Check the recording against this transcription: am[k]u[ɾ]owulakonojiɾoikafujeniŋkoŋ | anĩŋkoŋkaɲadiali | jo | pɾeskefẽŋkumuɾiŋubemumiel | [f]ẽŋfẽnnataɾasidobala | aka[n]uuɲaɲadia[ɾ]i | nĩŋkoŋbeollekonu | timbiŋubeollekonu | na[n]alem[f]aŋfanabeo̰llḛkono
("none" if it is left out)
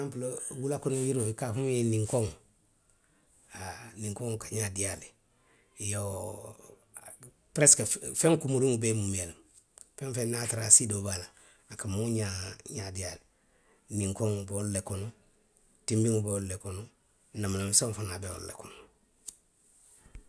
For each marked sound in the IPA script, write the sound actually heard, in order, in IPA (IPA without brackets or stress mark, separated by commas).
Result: p, l, f, m, l, m, s